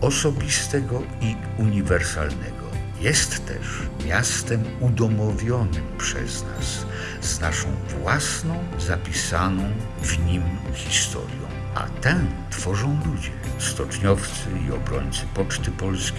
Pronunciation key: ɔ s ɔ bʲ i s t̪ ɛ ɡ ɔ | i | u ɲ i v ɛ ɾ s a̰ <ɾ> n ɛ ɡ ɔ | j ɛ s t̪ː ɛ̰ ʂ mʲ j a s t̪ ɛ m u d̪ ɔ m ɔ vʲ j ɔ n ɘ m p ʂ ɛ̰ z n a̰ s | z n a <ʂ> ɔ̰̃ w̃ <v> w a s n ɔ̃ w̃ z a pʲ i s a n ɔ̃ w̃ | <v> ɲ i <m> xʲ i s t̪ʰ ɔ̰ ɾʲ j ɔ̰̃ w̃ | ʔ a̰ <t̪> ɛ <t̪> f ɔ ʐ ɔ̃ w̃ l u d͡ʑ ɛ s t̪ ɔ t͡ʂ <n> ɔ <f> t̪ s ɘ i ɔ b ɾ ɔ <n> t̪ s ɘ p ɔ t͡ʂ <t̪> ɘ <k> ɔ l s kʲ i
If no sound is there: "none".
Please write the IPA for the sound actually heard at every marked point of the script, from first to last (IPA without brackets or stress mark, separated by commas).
l, ʂ, v, v, m, t̪, t̪, ɲ, f, ɲ, t̪, p